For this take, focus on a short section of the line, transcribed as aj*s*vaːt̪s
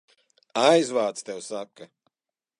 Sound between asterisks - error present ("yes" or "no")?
yes